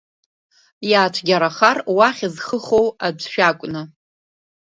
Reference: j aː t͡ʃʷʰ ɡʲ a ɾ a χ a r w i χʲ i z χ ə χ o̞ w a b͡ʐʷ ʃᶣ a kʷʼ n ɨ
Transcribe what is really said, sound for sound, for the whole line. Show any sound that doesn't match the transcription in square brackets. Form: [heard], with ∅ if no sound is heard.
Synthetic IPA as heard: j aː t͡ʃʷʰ ɡʲ a ɾ a χ a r w [a] χʲ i z χ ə χ o̞ w a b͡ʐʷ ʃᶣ a kʷʼ n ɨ

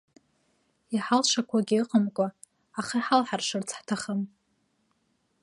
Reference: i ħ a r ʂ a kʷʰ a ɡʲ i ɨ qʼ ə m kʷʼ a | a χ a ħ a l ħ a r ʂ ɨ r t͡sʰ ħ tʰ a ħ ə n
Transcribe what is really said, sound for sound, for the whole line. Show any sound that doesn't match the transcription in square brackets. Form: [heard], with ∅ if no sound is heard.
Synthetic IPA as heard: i ħ a [l] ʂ a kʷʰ a ɡʲ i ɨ qʼ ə m kʷʼ a | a χ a ħ a l ħ a r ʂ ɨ r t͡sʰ ħ tʰ a [χ] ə [m]

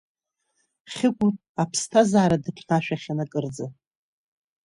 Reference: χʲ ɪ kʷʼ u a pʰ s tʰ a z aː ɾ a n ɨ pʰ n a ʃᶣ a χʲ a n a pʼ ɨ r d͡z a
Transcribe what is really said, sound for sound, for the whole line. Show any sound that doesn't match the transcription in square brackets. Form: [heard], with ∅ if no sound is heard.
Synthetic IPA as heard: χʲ ɪ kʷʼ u a pʰ s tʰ a z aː ɾ a [d] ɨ pʰ n a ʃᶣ a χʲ a n a [kʼ] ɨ r d͡z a

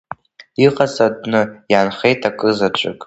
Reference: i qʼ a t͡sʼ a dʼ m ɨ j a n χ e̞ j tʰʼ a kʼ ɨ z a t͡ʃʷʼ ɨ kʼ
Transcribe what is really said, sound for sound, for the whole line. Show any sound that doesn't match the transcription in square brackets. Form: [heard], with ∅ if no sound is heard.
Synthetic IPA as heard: i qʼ a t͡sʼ a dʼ [n] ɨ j a n χ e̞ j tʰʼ a kʼ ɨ z a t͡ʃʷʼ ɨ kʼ

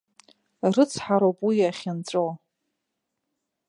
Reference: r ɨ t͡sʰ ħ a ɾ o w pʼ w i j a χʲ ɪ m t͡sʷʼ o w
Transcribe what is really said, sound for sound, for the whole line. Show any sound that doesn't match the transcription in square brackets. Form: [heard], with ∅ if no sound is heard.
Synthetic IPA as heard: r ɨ t͡sʰ ħ a ɾ o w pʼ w i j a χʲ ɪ [n] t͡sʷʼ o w

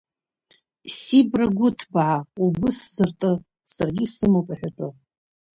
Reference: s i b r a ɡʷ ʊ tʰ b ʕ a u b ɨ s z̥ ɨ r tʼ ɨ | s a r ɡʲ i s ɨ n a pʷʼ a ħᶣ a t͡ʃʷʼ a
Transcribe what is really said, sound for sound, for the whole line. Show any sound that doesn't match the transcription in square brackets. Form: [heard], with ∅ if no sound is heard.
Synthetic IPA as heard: s i b r a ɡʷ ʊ tʰ b ʕ a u b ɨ s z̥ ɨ r tʼ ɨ | s a r ɡʲ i s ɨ [m] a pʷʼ a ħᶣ a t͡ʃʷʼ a

